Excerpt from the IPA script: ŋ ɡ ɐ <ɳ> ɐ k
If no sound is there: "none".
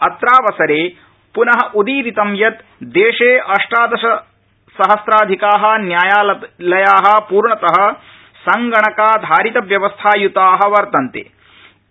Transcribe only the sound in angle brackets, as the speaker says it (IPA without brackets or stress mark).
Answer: ɳ